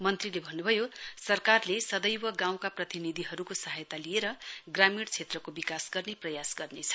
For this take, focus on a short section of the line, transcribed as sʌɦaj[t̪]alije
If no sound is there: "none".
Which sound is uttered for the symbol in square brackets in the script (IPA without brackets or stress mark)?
t̪